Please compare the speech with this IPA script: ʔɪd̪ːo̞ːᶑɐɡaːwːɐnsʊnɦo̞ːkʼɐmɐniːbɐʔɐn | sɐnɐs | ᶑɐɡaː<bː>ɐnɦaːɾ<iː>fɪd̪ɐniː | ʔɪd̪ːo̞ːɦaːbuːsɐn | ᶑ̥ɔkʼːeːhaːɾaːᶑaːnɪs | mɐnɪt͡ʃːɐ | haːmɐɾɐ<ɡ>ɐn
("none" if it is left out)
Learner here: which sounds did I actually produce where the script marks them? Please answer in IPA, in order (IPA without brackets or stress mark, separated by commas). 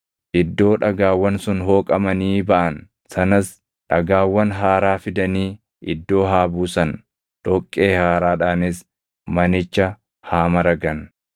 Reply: wː, aː, ɡ